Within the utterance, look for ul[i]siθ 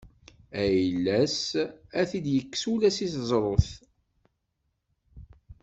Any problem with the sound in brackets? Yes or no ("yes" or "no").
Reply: yes